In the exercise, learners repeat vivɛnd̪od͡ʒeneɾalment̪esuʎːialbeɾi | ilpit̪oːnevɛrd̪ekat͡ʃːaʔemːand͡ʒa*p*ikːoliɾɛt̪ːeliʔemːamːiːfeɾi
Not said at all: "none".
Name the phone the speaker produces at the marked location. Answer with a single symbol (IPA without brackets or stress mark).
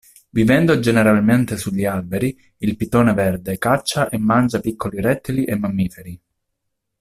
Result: p